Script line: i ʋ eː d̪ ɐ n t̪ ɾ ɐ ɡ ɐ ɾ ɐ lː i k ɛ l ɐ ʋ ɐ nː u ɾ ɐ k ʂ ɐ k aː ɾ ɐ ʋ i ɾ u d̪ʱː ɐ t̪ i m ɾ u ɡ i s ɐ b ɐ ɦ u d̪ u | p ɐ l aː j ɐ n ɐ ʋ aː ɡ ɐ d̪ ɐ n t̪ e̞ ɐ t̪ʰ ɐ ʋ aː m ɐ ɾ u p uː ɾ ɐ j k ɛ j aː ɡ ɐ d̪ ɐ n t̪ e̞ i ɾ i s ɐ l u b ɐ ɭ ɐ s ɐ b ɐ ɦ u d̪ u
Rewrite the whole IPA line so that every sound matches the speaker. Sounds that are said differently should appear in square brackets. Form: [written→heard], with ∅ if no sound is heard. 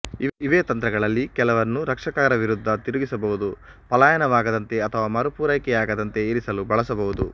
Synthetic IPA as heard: i ʋ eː [d̪→t̪] ɐ n t̪ ɾ ɐ ɡ ɐ [ɾ→ɭ] ɐ lː i k ɛ l ɐ ʋ ɐ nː u ɾ ɐ k ʂ ɐ k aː ɾ ɐ ʋ i ɾ u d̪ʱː ɐ t̪ i [m→∅] ɾ u ɡ i s ɐ b ɐ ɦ u d̪ u | p ɐ l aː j ɐ n ɐ ʋ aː ɡ ɐ d̪ ɐ n t̪ e̞ ɐ t̪ʰ ɐ ʋ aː m ɐ ɾ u p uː ɾ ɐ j k ɛ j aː ɡ ɐ d̪ ɐ n t̪ e̞ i ɾ i s ɐ l u b ɐ ɭ ɐ s ɐ b ɐ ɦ u d̪ u